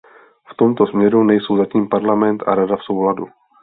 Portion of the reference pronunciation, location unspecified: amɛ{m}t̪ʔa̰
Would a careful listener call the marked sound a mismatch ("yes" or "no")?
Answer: yes